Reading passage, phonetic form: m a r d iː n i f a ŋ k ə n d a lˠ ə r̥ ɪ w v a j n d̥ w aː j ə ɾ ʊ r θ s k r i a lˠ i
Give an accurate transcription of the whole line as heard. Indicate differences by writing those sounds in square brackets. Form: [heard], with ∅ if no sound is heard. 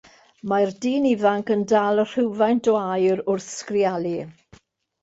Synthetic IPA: m a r d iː n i [v] a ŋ k ə n d a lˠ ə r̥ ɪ w v a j n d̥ w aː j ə ɾ ʊ r θ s k r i a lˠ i